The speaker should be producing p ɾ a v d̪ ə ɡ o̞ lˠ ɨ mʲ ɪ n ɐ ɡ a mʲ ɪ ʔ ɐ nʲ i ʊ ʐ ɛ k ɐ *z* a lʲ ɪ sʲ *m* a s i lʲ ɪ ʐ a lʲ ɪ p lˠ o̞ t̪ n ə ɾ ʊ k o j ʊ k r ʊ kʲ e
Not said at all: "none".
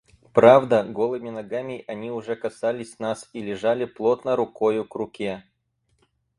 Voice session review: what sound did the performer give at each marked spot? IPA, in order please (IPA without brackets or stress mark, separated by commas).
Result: s, n